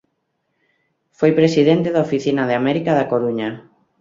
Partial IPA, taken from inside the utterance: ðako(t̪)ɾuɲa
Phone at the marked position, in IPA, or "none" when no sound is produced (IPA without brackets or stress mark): none